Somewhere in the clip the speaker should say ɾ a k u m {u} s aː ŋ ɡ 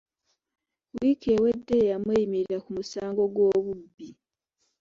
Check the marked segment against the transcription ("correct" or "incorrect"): correct